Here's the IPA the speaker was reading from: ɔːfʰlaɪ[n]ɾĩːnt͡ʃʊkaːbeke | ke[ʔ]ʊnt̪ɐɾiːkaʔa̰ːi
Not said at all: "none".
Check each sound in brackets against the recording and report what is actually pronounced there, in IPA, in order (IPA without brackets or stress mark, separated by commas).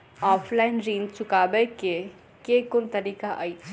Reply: n, k